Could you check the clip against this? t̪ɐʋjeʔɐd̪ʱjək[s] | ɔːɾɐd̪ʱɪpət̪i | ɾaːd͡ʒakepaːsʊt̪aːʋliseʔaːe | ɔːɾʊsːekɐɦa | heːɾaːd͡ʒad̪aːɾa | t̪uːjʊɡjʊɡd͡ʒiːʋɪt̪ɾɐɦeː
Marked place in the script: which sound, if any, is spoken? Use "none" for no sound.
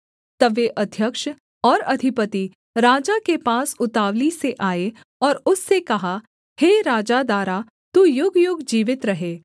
ʃ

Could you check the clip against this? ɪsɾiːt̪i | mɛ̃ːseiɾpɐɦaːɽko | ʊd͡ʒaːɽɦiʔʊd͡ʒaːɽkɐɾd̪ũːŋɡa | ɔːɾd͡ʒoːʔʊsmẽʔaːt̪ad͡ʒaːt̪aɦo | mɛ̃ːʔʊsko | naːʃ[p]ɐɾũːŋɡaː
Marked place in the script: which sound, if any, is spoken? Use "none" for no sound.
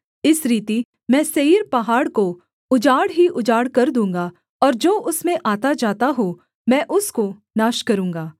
k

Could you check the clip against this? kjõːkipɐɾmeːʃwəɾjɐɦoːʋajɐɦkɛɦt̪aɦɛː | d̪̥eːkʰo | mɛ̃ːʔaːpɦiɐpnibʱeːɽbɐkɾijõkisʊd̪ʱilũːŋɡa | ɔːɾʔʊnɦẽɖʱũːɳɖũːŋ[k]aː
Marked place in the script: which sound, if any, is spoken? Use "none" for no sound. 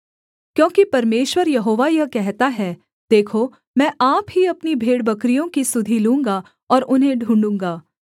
ɡ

